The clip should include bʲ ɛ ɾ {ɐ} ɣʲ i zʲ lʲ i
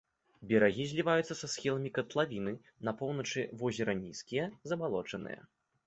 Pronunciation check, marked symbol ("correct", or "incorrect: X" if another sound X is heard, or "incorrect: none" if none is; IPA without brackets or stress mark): incorrect: a